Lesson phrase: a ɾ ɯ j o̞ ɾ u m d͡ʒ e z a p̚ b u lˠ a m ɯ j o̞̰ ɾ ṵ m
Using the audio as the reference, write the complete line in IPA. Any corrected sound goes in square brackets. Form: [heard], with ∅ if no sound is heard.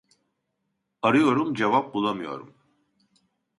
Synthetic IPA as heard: a ɾ ɯ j o̞ ɾ u m d͡ʒ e [v] a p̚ b u lˠ a m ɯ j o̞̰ ɾ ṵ m